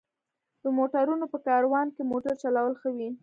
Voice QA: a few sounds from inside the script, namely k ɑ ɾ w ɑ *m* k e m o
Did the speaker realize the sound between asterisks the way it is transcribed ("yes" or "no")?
no